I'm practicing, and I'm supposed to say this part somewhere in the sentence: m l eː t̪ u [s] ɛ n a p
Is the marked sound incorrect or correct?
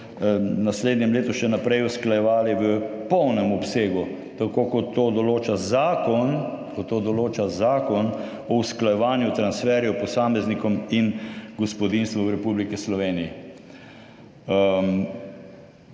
incorrect